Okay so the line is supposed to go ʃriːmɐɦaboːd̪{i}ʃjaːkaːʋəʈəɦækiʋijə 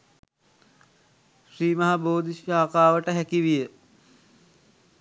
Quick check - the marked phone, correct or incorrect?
correct